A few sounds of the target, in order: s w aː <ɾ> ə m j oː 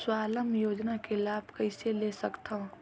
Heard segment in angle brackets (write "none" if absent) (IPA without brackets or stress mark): l